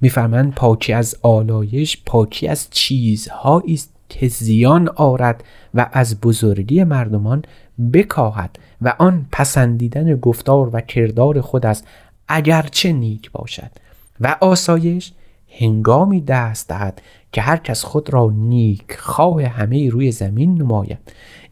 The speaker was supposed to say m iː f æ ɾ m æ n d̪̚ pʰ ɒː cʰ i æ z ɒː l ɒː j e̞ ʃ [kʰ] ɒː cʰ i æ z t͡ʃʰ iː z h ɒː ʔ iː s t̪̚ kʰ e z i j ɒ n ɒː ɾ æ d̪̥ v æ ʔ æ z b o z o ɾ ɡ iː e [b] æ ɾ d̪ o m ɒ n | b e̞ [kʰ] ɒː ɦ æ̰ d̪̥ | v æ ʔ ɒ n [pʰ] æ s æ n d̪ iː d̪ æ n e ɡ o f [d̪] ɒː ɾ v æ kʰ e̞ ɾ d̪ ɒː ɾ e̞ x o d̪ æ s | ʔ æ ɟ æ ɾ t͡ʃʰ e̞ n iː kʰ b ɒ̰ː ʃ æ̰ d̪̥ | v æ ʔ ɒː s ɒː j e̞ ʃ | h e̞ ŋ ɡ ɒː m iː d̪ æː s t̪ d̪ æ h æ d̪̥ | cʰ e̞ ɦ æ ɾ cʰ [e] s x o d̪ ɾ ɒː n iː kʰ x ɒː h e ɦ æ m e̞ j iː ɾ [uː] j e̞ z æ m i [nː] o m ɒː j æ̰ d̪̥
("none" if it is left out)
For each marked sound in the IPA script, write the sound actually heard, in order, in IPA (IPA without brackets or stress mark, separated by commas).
pʰ, m, kʰ, pʰ, t̪, æ, uː, nː